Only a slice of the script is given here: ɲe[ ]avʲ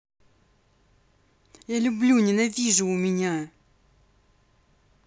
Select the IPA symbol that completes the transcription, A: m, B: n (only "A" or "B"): B